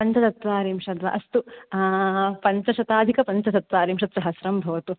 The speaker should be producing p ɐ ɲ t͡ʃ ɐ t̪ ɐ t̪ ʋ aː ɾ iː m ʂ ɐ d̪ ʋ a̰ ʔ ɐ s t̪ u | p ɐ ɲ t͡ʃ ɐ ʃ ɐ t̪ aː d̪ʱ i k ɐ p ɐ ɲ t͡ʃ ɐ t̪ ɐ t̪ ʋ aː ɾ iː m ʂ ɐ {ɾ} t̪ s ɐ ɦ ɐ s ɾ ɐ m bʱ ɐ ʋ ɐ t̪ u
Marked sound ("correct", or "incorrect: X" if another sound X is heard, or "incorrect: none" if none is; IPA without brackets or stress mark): incorrect: none